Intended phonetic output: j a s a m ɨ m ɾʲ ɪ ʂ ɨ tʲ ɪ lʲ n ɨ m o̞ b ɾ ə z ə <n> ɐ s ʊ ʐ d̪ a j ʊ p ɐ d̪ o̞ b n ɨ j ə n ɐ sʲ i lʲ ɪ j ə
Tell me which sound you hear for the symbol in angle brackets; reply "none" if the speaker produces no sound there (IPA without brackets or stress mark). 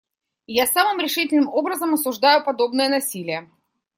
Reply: m